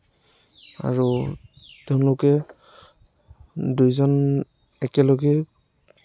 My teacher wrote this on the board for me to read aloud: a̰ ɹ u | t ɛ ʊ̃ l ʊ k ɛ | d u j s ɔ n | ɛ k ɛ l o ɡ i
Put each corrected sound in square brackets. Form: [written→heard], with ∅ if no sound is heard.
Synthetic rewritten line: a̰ ɹ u | t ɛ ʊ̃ l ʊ k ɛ | d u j [s→z] ɔ n | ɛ k ɛ l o ɡ [i→ɛ]